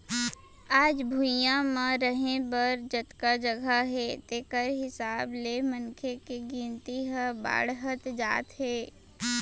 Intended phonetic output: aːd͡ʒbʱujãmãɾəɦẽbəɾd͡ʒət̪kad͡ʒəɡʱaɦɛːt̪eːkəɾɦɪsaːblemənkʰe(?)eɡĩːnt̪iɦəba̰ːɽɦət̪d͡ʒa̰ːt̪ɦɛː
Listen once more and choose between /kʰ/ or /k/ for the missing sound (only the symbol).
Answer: k